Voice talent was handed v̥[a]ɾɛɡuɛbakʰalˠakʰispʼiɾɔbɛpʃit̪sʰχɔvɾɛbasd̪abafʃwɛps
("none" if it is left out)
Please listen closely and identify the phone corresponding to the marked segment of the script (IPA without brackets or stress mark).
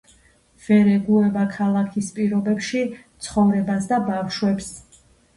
ɛ